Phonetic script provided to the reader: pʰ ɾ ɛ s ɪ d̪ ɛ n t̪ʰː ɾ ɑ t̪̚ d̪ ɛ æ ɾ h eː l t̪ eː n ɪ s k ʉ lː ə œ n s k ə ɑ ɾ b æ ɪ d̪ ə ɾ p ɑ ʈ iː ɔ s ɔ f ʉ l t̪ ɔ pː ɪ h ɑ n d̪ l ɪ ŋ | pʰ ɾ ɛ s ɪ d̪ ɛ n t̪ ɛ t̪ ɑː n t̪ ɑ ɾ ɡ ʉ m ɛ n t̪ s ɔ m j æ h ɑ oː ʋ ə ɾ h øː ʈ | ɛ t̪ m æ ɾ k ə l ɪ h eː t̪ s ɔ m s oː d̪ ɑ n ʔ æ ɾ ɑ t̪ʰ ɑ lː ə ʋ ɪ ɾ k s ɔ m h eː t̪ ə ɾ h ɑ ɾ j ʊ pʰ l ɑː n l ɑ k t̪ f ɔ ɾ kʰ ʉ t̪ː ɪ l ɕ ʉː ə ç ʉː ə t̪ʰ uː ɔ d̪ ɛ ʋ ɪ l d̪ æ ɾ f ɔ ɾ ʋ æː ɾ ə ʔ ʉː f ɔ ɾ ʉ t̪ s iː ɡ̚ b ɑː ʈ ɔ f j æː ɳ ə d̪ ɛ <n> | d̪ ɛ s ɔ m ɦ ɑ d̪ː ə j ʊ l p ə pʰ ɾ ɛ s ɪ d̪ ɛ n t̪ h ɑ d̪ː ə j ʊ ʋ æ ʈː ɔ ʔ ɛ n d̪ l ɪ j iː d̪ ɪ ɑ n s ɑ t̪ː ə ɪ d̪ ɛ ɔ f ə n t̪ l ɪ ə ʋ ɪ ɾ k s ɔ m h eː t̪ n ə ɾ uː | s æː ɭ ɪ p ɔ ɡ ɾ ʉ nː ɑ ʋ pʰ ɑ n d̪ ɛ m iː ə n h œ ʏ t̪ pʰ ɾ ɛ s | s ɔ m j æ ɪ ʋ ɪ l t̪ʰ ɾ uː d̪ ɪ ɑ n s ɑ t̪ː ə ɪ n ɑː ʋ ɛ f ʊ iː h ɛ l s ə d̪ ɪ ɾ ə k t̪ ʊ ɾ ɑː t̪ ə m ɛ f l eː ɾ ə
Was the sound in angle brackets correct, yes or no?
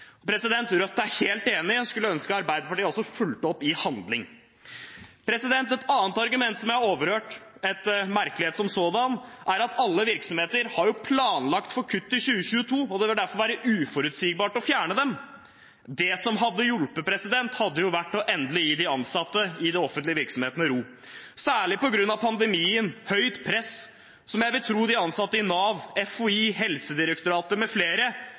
no